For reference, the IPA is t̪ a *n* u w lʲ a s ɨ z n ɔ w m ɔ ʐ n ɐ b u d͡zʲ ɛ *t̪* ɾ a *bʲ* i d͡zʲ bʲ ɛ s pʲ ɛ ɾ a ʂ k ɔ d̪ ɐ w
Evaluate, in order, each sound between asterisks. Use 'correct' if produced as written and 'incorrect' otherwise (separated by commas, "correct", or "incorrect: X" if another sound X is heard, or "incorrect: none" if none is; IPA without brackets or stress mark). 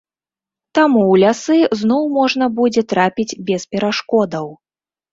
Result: incorrect: m, correct, incorrect: pʲ